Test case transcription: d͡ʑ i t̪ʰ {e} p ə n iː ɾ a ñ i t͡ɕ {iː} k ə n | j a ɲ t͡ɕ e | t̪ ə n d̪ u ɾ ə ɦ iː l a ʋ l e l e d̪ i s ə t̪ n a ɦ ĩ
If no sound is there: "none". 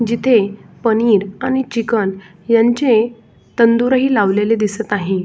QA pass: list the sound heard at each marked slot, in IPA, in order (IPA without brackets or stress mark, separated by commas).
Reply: e, i